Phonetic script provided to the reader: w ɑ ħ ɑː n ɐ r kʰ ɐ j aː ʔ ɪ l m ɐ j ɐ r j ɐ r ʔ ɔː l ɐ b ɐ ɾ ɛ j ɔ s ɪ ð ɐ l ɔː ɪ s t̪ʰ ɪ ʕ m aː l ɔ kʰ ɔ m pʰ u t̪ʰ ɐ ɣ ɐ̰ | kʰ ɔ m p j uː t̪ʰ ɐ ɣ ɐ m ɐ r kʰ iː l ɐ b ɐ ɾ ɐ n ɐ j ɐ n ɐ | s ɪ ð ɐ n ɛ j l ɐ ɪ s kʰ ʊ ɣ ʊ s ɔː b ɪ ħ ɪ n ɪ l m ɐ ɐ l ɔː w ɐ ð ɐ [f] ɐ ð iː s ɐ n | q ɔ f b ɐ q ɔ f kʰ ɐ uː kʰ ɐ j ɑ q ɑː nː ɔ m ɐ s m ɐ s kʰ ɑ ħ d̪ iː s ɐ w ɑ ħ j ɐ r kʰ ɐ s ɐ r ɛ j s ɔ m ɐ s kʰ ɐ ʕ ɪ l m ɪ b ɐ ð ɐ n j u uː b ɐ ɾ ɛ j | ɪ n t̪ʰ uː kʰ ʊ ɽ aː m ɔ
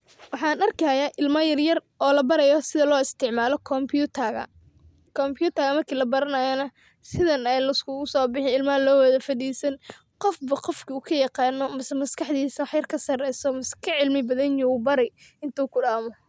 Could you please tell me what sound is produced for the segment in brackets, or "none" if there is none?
f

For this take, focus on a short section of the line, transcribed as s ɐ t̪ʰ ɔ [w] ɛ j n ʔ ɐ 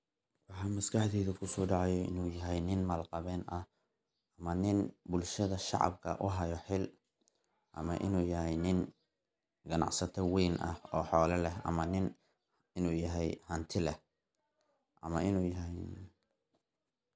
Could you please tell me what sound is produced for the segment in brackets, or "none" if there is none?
w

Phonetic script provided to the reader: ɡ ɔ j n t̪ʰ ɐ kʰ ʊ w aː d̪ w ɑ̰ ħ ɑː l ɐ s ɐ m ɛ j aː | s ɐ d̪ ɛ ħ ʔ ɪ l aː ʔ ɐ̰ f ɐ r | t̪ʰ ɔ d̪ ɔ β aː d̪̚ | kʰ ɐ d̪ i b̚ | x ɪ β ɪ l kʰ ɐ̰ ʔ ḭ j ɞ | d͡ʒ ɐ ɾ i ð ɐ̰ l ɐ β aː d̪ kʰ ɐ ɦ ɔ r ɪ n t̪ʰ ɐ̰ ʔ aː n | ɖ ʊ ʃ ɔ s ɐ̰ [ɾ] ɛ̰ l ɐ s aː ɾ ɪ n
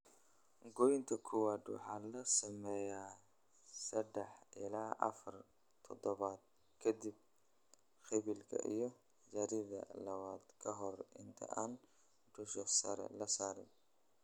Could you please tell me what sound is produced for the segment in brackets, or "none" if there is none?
ɾ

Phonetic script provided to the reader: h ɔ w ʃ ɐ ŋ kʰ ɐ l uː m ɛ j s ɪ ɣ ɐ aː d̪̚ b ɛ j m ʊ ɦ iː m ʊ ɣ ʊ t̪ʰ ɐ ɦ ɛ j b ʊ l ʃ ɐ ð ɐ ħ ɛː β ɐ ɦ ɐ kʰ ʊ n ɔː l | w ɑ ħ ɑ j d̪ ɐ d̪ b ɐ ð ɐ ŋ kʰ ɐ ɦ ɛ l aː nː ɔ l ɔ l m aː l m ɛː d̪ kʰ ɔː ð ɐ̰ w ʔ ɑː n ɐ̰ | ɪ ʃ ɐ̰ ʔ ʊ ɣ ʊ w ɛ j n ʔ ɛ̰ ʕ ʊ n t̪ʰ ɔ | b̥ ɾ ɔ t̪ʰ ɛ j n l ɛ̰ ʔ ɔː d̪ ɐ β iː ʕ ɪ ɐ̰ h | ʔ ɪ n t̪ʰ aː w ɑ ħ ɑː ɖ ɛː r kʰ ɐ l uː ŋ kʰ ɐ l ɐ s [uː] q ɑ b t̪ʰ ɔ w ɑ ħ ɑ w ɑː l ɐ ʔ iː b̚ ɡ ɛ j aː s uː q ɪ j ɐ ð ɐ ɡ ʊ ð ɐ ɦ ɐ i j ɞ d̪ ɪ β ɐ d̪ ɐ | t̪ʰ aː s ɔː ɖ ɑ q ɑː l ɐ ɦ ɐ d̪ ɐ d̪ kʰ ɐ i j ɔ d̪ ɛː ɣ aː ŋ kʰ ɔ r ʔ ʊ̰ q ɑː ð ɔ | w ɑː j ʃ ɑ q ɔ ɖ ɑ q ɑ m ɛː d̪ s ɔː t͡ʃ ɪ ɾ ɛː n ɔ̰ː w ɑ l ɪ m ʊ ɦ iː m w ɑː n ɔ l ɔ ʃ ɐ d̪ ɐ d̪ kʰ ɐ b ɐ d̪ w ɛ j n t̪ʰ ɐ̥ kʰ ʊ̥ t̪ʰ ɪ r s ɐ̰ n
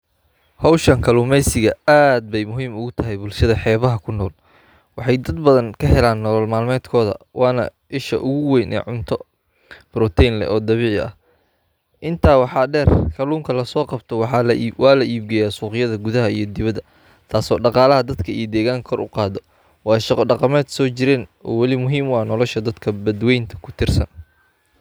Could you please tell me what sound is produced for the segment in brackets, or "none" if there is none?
ɔː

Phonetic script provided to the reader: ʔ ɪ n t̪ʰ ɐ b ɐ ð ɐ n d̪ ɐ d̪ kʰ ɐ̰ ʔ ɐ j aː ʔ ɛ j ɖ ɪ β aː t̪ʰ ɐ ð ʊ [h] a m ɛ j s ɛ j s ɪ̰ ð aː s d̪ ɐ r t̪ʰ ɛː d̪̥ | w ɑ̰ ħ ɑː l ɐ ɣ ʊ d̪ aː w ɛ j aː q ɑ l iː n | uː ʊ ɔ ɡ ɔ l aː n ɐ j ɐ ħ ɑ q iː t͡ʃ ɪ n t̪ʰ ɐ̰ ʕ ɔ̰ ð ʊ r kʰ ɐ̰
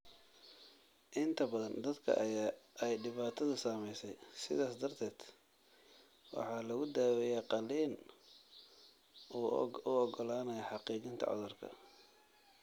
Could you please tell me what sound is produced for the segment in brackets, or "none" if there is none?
s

